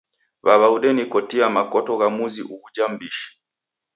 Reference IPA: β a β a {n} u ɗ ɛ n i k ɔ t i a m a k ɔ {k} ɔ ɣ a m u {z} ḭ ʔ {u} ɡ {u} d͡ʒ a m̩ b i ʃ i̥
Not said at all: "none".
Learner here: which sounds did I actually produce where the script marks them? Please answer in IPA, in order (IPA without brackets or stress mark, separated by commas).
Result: none, t, z, u, u